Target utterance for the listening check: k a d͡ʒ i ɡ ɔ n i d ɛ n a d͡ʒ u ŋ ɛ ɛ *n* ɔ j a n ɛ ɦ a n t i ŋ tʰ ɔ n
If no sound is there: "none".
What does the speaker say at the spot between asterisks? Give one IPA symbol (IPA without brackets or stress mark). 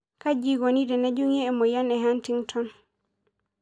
m